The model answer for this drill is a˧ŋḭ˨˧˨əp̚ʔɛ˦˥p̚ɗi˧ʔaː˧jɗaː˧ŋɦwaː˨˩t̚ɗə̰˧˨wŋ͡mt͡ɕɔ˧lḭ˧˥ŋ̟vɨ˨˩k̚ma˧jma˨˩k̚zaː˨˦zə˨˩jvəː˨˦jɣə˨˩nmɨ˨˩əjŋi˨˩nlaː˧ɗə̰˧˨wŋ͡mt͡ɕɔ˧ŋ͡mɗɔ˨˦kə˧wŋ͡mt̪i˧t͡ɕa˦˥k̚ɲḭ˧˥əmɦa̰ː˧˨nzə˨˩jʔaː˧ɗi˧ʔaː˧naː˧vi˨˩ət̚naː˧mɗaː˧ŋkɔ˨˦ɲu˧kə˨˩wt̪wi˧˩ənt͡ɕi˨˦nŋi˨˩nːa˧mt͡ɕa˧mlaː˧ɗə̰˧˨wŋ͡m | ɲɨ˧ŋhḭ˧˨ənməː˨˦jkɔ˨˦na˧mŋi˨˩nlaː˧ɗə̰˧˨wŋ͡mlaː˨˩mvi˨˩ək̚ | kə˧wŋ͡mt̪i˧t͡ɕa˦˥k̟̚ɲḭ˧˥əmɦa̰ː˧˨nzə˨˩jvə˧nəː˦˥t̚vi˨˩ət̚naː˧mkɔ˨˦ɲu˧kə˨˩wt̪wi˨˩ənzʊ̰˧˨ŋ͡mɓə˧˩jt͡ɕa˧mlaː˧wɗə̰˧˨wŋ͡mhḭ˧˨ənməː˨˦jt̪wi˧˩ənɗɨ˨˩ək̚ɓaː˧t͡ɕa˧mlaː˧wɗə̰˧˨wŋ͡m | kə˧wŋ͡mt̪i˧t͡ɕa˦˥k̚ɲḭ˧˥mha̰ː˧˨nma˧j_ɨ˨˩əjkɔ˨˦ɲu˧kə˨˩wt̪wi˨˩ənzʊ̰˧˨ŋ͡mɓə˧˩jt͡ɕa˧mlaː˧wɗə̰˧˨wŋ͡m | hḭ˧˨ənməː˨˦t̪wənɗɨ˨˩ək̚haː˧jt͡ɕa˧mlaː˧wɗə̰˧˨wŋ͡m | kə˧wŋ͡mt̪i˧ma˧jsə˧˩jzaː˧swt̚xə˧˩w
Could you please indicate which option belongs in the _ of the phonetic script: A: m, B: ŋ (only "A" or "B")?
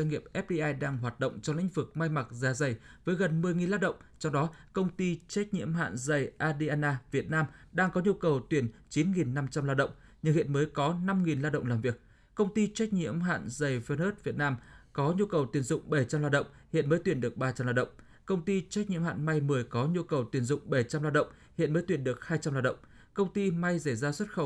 A